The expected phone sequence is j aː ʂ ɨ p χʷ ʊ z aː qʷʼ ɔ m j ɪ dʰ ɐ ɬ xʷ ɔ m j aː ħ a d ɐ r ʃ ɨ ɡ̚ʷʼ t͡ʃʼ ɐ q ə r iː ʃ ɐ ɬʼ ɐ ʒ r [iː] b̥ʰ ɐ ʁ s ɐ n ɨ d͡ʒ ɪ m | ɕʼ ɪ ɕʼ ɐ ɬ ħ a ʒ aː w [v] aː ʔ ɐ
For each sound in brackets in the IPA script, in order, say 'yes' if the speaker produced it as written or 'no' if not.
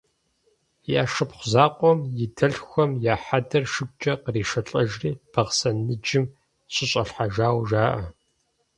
yes, no

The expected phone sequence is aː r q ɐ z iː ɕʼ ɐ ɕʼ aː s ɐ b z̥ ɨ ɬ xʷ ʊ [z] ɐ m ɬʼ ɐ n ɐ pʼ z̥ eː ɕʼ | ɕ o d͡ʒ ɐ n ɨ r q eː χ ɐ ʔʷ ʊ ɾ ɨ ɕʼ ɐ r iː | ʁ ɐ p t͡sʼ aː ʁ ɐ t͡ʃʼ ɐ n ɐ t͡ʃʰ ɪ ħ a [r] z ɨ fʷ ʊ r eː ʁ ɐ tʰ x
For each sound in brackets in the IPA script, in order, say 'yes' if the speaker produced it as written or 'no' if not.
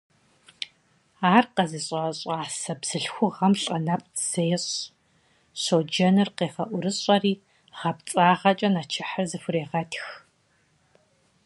no, yes

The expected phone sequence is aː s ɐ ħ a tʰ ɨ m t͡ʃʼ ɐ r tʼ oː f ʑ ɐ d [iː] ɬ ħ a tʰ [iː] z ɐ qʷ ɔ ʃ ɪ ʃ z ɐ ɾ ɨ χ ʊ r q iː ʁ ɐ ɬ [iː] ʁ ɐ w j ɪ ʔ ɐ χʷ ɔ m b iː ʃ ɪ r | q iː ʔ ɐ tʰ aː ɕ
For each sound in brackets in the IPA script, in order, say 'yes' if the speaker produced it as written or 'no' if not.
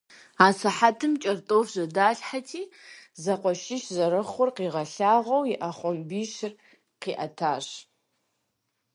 no, yes, no

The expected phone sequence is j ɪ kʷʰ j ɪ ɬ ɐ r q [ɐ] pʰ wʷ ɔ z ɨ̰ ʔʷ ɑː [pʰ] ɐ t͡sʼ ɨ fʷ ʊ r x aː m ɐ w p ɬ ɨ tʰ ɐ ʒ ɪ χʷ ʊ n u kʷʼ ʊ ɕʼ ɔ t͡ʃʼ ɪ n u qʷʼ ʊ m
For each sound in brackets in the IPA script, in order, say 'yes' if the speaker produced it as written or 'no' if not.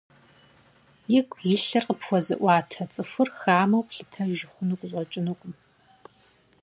no, no

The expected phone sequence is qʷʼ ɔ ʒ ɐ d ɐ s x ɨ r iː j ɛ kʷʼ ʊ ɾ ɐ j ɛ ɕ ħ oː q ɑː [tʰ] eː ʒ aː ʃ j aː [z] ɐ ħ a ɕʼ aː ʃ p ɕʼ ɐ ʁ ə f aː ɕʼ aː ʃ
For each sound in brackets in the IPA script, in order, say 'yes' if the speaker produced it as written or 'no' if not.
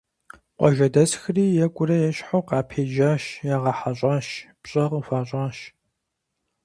no, no

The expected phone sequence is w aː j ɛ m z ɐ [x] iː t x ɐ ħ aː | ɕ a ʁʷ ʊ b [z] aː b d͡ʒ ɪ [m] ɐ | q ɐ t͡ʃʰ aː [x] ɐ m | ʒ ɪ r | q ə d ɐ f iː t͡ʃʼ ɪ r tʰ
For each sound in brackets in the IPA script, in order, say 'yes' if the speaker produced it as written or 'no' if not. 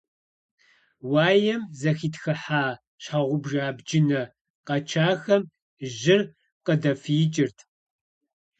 yes, no, no, yes

